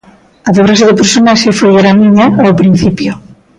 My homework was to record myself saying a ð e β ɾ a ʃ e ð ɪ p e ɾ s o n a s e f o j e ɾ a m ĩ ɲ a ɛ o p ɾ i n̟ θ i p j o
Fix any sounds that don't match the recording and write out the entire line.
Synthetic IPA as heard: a ð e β ɾ a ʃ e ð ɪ p e ɾ s o n a ʃ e f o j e ɾ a m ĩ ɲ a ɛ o p ɾ i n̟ θ i p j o